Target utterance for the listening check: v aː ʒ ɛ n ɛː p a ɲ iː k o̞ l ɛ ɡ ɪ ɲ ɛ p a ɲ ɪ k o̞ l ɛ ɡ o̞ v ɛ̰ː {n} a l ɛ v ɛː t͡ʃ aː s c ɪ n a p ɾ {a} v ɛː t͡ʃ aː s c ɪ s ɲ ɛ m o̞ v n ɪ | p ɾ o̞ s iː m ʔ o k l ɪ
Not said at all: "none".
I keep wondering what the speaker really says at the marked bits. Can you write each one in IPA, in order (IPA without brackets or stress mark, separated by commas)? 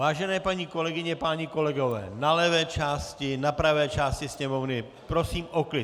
n, a